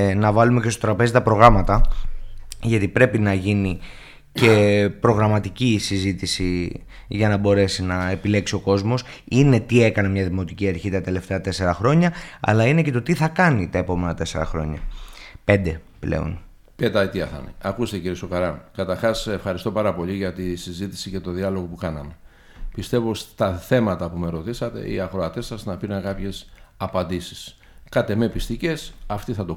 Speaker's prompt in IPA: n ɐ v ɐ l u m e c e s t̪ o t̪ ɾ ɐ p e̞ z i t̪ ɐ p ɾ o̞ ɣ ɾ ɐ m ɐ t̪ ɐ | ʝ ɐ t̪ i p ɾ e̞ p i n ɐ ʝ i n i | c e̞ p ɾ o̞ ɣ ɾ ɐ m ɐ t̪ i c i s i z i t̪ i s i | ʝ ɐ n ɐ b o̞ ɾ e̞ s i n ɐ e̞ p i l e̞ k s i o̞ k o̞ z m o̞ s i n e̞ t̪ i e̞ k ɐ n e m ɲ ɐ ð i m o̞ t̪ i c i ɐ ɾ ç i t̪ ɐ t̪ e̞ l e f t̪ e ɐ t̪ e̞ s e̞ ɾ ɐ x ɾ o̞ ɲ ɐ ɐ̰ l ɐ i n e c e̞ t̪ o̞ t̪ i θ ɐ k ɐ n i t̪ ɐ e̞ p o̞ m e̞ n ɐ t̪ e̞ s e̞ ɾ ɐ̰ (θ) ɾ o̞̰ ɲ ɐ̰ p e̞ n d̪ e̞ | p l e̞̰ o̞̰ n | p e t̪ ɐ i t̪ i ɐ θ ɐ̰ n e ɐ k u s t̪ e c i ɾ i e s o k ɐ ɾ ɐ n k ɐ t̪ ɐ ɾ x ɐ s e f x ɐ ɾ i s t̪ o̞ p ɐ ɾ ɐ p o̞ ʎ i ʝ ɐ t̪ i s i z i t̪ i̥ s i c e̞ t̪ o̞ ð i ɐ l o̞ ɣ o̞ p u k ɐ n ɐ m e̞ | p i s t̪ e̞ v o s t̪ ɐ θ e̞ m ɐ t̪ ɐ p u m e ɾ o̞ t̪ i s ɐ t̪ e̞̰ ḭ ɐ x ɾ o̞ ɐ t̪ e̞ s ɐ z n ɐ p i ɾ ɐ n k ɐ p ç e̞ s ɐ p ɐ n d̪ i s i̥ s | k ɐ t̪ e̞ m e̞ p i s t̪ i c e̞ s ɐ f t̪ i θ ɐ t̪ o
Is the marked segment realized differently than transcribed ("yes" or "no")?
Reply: yes